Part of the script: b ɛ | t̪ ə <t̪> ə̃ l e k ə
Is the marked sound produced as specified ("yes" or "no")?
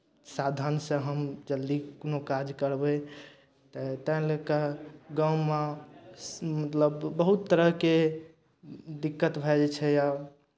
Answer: yes